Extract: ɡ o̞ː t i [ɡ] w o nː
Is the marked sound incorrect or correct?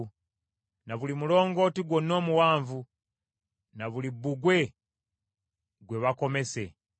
correct